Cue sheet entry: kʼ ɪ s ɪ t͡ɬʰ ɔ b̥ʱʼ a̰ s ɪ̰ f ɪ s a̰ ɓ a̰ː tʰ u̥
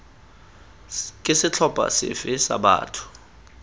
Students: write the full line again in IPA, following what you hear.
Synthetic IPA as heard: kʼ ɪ s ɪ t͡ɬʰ ɔ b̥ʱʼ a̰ s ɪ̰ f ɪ s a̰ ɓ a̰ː tʰ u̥